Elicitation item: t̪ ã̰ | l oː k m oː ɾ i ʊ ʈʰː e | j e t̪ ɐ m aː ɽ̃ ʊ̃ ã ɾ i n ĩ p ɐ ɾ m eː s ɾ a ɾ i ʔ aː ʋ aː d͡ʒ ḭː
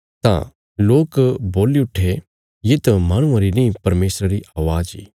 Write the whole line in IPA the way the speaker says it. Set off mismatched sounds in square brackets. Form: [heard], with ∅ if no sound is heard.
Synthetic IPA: t̪ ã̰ | l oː k [b] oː [l] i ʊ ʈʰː e | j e t̪ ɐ m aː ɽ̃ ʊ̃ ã ɾ i n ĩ p ɐ ɾ m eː s ɾ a ɾ i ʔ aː ʋ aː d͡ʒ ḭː